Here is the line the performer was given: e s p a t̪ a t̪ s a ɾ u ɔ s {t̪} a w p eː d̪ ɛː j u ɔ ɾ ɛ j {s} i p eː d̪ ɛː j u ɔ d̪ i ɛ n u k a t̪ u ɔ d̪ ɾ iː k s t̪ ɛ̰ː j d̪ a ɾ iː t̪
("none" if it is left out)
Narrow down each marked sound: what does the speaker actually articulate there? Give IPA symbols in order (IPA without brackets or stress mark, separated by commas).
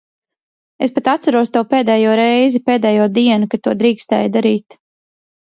t̪, z